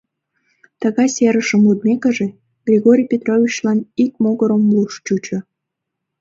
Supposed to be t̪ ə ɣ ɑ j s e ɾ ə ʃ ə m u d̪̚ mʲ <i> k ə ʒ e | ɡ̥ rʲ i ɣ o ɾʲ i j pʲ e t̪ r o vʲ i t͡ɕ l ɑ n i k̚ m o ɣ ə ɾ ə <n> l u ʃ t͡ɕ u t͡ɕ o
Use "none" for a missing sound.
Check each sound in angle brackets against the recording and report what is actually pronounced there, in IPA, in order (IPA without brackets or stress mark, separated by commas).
e, m